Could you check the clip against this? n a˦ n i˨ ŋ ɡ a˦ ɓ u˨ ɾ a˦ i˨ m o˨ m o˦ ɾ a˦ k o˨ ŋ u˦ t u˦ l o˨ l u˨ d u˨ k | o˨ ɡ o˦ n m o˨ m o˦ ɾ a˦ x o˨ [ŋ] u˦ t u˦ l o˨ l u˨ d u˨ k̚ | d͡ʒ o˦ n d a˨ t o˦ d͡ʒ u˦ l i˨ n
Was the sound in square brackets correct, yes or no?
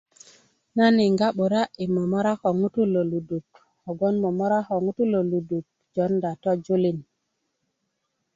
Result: yes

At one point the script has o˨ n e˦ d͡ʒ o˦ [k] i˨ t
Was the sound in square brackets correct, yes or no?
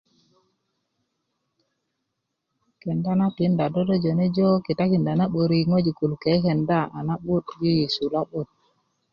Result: yes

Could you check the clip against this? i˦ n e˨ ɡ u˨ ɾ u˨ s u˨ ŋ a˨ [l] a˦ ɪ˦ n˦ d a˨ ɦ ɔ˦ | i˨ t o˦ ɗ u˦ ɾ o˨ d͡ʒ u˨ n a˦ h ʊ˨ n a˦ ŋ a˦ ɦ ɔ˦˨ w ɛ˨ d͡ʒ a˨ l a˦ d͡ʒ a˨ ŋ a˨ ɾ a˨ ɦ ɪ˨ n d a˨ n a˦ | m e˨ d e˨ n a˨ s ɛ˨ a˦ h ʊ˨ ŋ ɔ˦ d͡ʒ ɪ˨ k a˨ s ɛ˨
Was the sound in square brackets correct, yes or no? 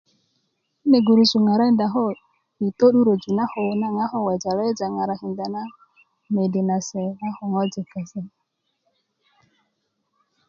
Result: no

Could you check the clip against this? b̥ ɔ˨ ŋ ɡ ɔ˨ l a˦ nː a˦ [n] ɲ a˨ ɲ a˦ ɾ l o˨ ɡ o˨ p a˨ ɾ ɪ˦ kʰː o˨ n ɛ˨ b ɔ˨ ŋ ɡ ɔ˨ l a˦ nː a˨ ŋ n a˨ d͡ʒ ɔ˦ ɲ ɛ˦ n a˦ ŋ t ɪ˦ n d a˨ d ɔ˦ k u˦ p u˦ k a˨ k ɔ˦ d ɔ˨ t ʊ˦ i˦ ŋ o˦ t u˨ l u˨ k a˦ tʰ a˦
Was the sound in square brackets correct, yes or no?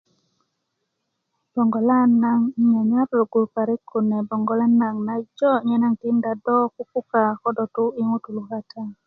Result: no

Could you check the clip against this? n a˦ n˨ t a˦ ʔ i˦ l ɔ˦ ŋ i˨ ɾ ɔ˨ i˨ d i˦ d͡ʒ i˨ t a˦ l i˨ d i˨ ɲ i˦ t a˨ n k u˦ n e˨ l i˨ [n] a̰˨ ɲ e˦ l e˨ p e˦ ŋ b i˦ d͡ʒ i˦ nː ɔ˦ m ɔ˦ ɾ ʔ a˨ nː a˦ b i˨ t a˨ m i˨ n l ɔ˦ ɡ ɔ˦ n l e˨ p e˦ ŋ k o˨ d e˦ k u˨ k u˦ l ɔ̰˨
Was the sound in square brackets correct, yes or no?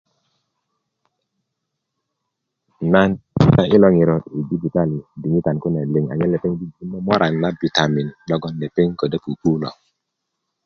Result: no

